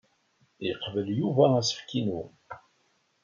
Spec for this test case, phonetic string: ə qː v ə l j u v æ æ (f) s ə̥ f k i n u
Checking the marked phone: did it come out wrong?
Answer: yes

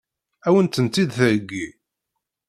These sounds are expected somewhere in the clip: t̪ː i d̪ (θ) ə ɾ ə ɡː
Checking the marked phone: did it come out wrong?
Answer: no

